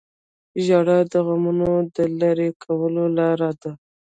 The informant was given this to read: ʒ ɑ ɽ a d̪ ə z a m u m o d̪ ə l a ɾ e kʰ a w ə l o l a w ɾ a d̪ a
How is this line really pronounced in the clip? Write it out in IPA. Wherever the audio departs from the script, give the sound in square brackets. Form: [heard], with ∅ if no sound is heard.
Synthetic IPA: ʒ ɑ ɽ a d̪ ə [ɣ] a m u [n] o d̪ ə l a ɾ e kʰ a w ə l o l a [∅] ɾ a d̪ a